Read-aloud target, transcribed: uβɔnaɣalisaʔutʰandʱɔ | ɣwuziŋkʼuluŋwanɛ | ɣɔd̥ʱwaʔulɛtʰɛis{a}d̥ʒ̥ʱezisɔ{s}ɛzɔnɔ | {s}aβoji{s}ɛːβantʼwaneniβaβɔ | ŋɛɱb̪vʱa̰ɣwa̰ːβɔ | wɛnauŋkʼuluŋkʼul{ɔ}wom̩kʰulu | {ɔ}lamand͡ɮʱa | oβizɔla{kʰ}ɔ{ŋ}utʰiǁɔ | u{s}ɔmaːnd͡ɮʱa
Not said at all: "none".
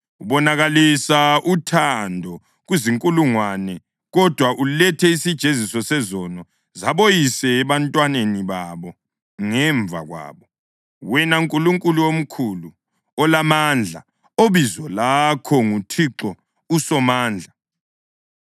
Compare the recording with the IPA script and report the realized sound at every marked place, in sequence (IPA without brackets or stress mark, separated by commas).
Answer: i, s, z, s, u, ɔ, kʰ, ŋ, s